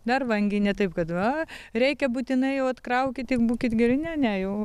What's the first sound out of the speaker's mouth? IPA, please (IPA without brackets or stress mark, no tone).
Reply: d̪